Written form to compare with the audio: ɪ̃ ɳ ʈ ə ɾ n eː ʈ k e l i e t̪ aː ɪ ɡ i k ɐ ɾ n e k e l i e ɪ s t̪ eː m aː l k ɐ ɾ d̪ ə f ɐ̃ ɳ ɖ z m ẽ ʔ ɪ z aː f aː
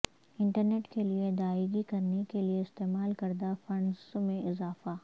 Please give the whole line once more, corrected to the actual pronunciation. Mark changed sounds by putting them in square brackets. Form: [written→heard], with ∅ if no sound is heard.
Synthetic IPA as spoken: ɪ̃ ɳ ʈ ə ɾ n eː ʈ k e l i e [t̪→d̪] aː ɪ ɡ i k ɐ ɾ n e k e l i e ɪ s t̪ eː m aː l k ɐ ɾ d̪ [ə→a] f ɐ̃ ɳ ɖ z m ẽ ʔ ɪ z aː f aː